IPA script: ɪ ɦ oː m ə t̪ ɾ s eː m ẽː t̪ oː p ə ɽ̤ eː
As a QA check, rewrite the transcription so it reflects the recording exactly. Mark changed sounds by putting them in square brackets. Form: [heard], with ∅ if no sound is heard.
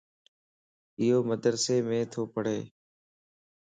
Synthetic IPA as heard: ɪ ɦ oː m ə [d̪] ɾ s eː m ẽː [t̪ʰ] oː p ə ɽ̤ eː